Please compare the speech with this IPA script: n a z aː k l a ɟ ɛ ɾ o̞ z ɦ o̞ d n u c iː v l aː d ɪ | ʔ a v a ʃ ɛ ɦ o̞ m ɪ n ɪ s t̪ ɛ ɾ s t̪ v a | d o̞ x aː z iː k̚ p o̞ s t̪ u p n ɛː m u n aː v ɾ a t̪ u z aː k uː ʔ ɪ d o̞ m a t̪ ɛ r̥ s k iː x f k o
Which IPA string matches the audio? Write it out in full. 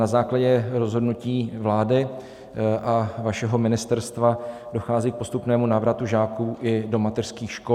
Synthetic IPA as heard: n a z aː k l a ɟ ɛ ɾ o̞ z ɦ o̞ d n u c iː v l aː d ɪ | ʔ a v a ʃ ɛ ɦ o̞ m ɪ n ɪ s t̪ ɛ ɾ s t̪ v a | d o̞ x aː z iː k̚ p o̞ s t̪ u p n ɛː m u n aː v ɾ a t̪ u ʒ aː k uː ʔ ɪ d o̞ m a t̪ ɛ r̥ s k iː x ʃ k o